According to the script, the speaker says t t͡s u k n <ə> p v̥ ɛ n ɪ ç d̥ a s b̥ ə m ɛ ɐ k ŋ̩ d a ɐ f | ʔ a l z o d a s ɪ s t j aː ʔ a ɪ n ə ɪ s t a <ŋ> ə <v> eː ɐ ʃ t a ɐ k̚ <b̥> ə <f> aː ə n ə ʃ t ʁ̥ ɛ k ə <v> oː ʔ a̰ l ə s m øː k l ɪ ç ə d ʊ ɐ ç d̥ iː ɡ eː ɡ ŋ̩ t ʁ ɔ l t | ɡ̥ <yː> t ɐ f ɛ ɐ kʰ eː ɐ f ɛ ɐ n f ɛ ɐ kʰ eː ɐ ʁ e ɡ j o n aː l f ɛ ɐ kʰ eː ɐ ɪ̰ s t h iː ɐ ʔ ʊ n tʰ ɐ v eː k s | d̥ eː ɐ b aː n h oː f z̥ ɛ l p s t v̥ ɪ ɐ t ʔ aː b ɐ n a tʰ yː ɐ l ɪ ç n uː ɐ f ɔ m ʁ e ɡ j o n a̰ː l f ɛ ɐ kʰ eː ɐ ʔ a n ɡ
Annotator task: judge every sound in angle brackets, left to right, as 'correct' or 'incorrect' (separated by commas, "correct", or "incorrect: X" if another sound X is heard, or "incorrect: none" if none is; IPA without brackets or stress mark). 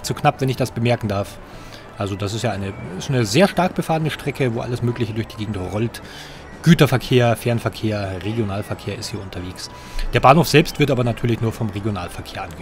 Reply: incorrect: a, incorrect: n, incorrect: z, correct, correct, correct, correct